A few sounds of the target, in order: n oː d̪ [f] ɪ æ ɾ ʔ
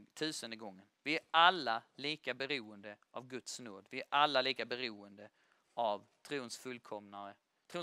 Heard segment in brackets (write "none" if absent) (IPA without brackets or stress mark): v